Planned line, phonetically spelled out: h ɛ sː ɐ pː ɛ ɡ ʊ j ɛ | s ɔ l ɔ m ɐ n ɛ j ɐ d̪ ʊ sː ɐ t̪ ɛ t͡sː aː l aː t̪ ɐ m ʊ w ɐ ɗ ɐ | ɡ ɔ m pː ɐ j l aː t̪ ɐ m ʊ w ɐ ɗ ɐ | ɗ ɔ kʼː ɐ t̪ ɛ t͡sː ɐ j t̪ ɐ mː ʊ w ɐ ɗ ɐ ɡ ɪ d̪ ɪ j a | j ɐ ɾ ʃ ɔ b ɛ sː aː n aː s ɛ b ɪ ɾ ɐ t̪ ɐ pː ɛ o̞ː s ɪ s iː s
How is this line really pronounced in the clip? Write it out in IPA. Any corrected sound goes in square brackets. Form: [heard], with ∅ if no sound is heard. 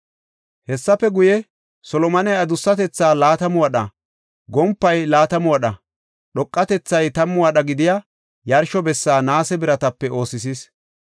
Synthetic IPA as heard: h ɛ sː ɐ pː ɛ ɡ ʊ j ɛ | s ɔ l ɔ m ɐ n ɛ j ɐ d̪ ʊ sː ɐ t̪ ɛ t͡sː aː l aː t̪ ɐ m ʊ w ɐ ɗ ɐ | ɡ ɔ m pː ɐ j l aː t̪ ɐ m ʊ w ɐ ɗ ɐ | ɗ ɔ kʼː ɐ t̪ ɛ t͡sː ɐ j t̪ ɐ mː ʊ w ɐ ɗ ɐ ɡ ɪ d̪ ɪ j a | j ɐ ɾ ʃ ɔ b ɛ sː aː n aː s ɛ b ɪ ɾ ɐ t̪ ɐ pː ɛ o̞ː s ɪ s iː s